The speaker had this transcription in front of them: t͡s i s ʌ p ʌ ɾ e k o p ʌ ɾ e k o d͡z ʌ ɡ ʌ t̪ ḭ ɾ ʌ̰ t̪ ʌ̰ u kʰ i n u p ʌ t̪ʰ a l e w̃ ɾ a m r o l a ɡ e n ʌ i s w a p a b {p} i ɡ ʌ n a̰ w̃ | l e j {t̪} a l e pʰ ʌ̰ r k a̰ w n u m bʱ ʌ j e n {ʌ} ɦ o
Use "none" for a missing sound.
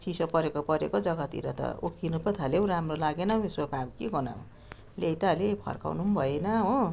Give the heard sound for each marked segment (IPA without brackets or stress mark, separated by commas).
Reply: k, t̪, ʌ